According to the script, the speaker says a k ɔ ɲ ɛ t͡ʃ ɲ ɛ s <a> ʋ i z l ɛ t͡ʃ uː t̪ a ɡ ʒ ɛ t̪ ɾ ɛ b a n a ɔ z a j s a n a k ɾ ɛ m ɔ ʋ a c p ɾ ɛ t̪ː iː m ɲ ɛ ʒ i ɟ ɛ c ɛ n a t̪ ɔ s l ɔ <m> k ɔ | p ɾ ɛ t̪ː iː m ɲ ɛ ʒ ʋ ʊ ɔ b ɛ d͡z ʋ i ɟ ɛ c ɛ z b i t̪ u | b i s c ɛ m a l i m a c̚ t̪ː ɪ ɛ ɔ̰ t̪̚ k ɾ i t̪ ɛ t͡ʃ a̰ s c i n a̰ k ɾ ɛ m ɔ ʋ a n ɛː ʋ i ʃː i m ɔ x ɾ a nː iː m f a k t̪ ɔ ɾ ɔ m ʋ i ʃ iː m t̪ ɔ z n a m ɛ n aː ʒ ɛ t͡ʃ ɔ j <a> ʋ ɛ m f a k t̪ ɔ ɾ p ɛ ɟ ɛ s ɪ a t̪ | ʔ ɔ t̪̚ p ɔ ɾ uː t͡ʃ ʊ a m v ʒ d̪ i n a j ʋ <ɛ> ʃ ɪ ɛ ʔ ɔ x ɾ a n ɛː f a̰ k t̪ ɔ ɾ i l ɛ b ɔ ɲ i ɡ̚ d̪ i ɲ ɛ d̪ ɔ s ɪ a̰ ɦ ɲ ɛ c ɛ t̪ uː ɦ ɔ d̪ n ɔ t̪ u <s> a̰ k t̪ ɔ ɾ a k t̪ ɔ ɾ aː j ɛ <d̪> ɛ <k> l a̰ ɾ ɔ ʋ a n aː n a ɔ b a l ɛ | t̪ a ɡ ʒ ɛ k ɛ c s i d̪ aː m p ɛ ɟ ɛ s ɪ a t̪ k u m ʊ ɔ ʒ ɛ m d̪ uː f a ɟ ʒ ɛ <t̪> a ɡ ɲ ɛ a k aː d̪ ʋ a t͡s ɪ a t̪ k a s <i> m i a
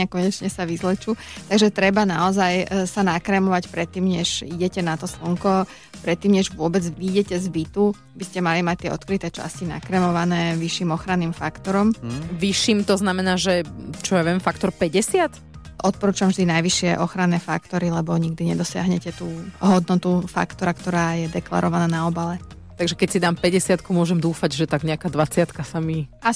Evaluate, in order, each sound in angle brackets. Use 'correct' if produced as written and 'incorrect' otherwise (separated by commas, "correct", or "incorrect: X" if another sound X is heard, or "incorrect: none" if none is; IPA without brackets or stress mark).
correct, incorrect: ŋ, correct, incorrect: i, incorrect: f, correct, correct, correct, incorrect: a